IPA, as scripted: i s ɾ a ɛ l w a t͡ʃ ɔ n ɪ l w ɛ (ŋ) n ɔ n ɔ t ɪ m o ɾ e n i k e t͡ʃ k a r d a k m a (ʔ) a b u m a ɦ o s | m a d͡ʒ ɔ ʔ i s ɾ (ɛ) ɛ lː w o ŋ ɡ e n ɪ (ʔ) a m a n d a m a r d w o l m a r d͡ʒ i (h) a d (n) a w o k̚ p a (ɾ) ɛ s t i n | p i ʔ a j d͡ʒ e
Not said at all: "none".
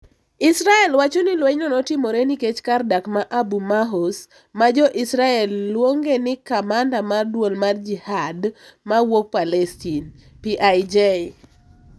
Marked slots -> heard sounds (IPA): ɲ, ʔ, a, k, h, m, l

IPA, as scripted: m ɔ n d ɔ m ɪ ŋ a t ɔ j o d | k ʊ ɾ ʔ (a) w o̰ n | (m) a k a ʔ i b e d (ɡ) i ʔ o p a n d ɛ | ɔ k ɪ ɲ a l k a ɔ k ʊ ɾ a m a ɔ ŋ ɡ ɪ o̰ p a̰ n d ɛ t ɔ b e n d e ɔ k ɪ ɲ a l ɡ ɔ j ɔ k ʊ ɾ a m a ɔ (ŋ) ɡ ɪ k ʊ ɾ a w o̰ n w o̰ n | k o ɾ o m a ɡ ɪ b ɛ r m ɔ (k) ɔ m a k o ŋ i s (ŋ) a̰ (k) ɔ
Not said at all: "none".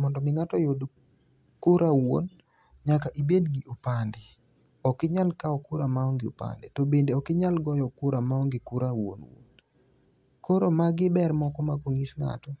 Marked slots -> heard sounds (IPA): a, ɲ, ɡ, ŋ, k, ŋ, t

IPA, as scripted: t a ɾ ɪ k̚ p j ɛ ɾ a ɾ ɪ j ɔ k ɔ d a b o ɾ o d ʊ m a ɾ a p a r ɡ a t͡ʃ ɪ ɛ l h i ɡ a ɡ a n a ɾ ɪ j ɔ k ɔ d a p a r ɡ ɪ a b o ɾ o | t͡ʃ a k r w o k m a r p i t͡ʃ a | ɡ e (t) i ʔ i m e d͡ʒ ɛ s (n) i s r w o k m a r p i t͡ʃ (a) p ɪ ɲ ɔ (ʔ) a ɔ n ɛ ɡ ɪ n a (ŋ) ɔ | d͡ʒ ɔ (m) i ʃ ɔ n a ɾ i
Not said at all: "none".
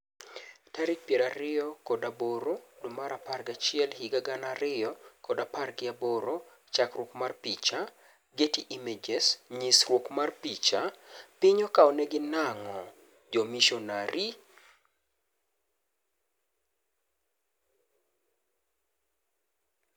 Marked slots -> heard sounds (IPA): t, ɲ, a, k, ŋ, m

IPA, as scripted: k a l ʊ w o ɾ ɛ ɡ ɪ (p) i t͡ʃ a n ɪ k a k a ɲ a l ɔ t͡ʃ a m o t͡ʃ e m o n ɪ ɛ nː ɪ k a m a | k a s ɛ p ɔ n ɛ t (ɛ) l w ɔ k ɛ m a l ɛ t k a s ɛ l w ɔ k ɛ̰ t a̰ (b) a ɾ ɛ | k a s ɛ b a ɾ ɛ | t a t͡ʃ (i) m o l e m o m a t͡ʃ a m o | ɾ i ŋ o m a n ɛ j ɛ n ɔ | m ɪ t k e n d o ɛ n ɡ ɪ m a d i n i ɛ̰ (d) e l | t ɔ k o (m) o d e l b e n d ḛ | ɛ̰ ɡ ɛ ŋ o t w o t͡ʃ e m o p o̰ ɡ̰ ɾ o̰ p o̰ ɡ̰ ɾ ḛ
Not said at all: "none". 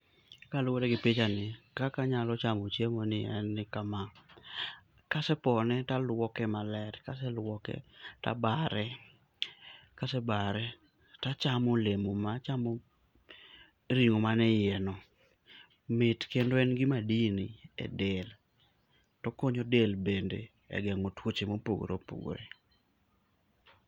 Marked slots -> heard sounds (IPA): p, a, b, a, d, ɲ

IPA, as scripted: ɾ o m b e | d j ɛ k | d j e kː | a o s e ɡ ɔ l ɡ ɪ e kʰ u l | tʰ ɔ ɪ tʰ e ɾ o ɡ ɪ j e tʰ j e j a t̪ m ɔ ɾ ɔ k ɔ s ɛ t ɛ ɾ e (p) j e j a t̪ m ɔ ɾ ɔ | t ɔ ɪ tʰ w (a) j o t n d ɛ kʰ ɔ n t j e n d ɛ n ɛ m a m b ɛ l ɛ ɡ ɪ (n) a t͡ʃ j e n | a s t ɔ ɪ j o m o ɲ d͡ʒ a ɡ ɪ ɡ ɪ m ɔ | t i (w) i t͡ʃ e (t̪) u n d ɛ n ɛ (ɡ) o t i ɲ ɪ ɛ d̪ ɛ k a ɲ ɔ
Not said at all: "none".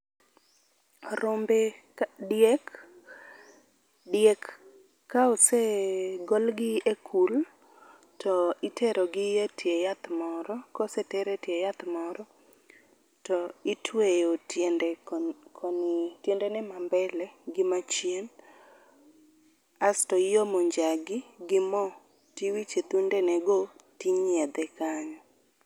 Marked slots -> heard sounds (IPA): t, e, m, w, t̪, ɡ

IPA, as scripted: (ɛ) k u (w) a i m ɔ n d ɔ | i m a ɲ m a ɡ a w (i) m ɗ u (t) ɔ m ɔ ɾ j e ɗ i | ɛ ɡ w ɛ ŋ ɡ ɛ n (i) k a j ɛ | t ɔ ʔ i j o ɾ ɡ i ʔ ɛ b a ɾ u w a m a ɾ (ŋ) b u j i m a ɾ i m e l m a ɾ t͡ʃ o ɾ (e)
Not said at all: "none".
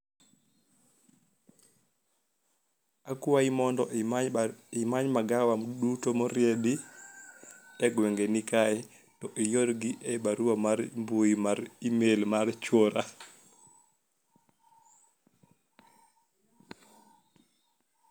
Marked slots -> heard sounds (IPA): a, w, a, t, i, m, a

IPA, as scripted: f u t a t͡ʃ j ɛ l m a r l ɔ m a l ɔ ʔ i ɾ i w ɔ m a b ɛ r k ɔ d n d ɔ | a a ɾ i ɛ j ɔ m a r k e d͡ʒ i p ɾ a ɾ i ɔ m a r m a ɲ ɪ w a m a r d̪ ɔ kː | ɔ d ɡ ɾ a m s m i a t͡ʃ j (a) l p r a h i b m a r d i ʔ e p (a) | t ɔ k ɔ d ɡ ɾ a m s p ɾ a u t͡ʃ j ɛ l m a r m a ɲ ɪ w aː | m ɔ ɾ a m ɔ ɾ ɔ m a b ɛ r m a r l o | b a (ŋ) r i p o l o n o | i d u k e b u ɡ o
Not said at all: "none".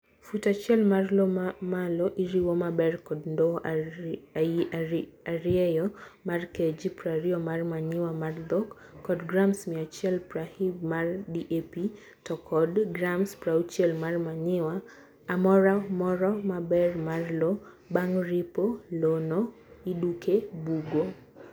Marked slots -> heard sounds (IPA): ɛ, i, ŋ

